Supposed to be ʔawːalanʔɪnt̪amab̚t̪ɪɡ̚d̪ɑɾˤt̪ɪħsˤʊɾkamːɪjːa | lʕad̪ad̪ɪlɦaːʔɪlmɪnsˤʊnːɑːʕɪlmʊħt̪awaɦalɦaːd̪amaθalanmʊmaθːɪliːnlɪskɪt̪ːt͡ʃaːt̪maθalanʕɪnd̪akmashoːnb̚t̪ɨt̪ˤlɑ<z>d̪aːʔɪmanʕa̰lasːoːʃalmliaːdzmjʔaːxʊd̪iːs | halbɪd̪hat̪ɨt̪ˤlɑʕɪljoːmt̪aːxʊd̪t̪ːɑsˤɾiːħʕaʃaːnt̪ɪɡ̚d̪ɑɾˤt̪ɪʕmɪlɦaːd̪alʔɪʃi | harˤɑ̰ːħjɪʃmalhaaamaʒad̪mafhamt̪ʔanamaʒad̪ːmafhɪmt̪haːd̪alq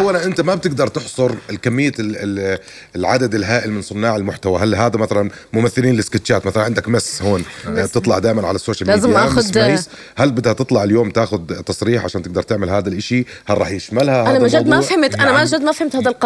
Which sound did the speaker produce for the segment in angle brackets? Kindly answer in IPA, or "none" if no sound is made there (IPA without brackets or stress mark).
ʕ